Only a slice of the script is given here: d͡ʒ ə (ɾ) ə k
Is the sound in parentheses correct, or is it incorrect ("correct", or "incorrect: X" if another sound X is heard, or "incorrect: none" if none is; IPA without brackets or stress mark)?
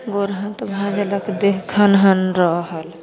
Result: incorrect: l